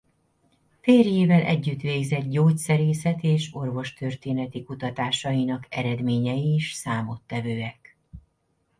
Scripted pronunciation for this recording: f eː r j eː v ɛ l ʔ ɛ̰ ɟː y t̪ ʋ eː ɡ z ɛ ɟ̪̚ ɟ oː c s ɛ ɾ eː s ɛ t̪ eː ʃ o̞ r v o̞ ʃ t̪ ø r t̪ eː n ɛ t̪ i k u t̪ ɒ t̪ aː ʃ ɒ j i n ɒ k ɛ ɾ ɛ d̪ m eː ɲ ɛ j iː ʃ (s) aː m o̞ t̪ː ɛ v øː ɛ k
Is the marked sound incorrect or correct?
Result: correct